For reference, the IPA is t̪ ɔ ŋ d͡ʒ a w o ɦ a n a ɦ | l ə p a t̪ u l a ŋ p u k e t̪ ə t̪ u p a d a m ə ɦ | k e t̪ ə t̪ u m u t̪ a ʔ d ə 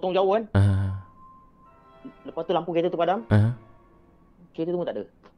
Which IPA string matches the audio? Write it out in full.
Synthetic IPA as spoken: t̪ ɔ ŋ d͡ʒ a w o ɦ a n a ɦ | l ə p a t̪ u l a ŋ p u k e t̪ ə t̪ u p a d a m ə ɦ | k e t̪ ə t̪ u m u t̪ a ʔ d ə